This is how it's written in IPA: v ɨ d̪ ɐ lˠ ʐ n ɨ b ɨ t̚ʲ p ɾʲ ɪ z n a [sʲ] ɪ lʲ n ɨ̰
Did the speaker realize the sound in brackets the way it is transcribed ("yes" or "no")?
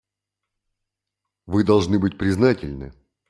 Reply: no